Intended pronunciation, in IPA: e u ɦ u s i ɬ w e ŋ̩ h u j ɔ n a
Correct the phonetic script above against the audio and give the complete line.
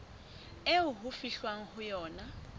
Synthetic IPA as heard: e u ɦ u f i ɬ w a ŋ̩ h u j ɔː n a